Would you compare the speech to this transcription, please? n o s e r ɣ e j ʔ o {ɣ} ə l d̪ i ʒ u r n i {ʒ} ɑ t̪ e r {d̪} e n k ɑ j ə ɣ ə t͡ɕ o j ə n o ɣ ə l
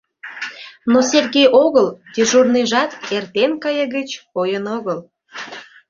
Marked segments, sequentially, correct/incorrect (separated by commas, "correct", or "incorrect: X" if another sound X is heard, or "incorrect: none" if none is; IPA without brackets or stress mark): correct, correct, incorrect: t̪